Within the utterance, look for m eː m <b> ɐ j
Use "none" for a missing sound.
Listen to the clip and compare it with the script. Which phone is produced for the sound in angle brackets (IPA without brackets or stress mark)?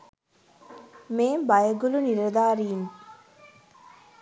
b